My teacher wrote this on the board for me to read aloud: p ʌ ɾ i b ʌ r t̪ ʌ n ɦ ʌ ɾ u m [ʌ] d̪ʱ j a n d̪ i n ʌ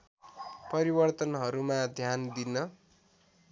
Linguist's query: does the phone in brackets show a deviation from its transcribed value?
yes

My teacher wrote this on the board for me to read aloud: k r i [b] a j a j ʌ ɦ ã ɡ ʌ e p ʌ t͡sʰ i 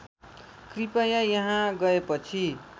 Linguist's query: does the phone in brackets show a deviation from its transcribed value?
yes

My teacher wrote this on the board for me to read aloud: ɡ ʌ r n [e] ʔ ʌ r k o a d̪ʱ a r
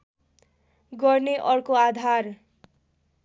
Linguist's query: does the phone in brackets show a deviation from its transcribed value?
no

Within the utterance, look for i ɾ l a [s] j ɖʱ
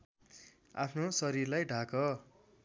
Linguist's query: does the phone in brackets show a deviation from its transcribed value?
yes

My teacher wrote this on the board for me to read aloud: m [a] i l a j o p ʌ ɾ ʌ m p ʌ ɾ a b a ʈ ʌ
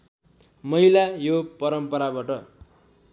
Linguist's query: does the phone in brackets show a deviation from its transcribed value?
yes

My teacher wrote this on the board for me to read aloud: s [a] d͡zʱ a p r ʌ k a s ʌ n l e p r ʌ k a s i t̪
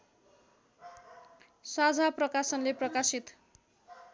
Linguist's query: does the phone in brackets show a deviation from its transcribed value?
no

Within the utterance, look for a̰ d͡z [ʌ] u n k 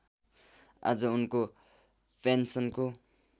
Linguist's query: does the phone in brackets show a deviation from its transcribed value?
no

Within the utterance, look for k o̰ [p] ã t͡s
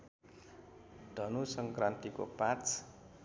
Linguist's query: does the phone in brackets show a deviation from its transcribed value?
no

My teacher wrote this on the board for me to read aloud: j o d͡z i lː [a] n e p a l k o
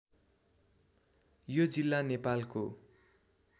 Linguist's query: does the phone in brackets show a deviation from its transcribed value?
no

